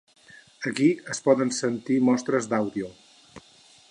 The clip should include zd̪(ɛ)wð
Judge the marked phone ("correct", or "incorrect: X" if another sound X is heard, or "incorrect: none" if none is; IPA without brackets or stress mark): incorrect: a